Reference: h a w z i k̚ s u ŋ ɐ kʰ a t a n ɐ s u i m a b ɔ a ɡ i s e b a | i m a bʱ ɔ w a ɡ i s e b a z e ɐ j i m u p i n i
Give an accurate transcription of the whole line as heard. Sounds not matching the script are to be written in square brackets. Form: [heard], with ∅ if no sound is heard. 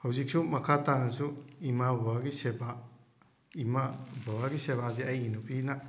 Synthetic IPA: h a w z i k̚ s u [m] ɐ kʰ a t a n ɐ s u i m a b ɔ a ɡ i s e b a | i m a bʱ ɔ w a ɡ i s e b a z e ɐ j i [n] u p i n [a]